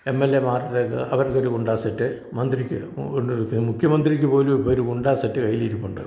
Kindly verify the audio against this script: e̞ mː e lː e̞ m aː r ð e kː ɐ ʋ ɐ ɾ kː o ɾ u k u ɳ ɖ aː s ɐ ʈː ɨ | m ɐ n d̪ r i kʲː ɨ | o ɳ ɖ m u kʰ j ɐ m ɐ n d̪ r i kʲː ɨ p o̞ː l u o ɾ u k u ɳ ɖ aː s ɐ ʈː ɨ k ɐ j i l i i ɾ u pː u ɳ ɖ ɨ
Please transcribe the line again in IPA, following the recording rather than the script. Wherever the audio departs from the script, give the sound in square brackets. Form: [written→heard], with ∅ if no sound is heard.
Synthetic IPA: e̞ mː e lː e̞ m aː r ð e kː ɐ ʋ ɐ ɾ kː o ɾ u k u ɳ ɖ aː s ɐ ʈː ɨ | m ɐ n d̪ r i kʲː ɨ | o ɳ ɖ m u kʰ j ɐ m ɐ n d̪ r i kʲː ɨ p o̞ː l u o ɾ u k u ɳ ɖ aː s ɐ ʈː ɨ k ɐ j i l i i ɾ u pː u ɳ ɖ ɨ